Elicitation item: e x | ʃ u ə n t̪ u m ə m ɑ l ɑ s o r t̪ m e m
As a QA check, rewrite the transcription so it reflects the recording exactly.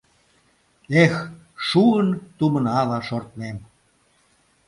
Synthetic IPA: e x | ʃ u ə n t̪ u m ə n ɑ l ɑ ʃ o r t̪ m e m